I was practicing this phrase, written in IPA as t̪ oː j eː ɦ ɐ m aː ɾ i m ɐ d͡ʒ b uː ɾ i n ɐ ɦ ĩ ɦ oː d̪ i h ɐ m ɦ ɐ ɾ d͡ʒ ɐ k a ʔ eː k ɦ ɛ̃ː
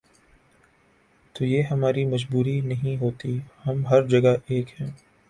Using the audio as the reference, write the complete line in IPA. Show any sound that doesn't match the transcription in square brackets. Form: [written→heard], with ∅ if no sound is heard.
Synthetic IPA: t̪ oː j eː ɦ ɐ m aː ɾ i m ɐ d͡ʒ b uː ɾ i n ɐ ɦ ĩ ɦ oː [d̪→t̪] i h ɐ m ɦ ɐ ɾ d͡ʒ ɐ [k→ɡ] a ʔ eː k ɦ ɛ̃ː